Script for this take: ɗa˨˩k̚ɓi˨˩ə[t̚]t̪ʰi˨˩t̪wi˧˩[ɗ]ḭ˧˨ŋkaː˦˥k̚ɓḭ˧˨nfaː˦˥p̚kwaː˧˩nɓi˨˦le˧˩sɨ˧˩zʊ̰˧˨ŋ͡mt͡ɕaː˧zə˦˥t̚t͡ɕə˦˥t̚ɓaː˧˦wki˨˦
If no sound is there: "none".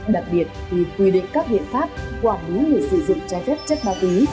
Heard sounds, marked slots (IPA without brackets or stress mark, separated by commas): t̚, ɗ